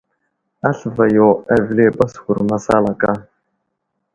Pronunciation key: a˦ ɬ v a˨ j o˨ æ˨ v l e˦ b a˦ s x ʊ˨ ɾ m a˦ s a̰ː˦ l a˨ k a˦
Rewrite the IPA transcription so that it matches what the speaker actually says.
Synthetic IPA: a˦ ɬ v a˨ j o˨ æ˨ v l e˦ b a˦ s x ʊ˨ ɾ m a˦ s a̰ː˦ l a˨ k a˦